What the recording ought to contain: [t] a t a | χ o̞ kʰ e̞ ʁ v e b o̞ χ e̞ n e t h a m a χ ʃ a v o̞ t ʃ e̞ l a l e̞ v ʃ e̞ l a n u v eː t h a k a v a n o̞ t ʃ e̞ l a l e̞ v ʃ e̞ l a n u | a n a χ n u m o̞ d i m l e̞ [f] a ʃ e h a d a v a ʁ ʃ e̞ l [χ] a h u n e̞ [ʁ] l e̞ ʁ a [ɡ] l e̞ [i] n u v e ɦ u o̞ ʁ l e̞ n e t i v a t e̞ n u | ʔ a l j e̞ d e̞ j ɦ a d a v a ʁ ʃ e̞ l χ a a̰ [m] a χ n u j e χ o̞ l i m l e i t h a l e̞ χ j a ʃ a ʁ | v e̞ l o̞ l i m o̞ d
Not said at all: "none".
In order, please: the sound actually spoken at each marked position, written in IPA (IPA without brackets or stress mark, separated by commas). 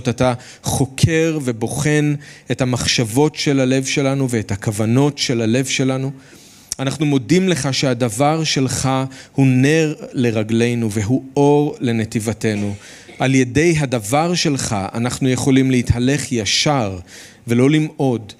t, χ, χ, ʁ, ɡ, j, n